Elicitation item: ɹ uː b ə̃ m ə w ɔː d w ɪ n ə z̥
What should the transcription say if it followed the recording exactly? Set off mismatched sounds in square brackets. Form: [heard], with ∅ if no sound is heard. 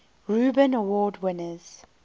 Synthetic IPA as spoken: ɹ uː b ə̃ [n] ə w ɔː d w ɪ n ə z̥